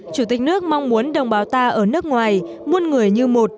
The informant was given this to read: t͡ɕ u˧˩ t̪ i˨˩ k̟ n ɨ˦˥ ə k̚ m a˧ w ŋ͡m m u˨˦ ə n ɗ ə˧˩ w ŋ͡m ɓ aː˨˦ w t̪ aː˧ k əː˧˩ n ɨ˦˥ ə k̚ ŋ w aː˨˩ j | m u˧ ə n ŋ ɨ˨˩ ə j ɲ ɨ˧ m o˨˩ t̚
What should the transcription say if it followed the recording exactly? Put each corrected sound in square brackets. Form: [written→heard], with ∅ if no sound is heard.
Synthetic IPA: t͡ɕ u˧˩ t̪ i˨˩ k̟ n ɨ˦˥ ə k̚ m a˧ w ŋ͡m m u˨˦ ə n ɗ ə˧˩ w ŋ͡m ɓ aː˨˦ w t̪ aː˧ [k→ʔ] əː˧˩ n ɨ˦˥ ə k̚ ŋ w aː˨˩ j | m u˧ ə n ŋ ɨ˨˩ ə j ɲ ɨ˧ m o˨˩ t̚

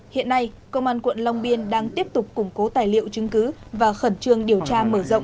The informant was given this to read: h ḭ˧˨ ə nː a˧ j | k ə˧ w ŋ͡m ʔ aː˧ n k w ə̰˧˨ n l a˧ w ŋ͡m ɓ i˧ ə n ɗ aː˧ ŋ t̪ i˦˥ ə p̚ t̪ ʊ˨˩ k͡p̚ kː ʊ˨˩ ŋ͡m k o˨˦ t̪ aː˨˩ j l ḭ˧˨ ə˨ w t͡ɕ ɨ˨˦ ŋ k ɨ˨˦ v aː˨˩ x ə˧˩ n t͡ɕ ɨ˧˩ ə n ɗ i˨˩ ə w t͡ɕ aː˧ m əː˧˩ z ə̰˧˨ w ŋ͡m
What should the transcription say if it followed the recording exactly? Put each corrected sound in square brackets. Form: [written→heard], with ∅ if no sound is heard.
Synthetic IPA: h ḭ˧˨ ə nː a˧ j | k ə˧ w ŋ͡m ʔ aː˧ n k w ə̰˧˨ n l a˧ w ŋ͡m ɓ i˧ ə n ɗ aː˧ ŋ t̪ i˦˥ ə p̚ t̪ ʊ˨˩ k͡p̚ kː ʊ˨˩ ŋ͡m k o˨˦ t̪ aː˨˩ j l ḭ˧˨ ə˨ w t͡ɕ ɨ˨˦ ŋ k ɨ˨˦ v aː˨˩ x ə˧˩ n t͡ɕ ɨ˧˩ ə [n→ŋ] ɗ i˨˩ ə w t͡ɕ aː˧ m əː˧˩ z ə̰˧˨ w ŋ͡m

